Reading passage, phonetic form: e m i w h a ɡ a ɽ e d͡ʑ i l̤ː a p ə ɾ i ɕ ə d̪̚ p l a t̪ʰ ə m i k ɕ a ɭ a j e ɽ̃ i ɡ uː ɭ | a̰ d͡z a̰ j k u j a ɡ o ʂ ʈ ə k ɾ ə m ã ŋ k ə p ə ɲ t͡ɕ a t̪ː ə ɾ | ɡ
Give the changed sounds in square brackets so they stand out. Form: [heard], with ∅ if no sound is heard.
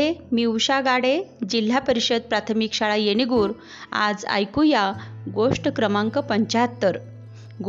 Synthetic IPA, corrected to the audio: e m i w [ɕ] a ɡ a ɽ e d͡ʑ i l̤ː a p ə ɾ i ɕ ə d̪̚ p [ɾ] a t̪ʰ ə m i k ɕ a ɭ a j e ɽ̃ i ɡ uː [ɾ] | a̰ d͡z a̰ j k u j a ɡ o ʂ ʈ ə k ɾ ə m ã ŋ k ə p ə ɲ t͡ɕ a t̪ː ə ɾ | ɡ